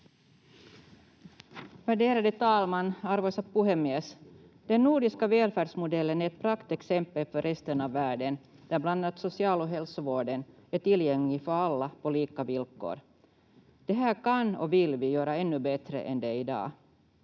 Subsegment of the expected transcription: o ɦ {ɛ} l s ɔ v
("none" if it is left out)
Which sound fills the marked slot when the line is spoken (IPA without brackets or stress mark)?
ɛ